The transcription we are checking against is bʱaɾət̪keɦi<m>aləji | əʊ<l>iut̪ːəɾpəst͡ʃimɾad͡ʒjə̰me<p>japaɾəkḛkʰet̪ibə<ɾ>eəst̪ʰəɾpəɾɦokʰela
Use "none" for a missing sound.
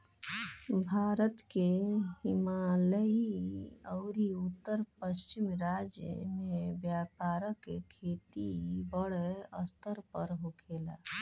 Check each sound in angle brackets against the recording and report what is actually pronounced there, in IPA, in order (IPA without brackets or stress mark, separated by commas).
m, ɾ, b, ɽ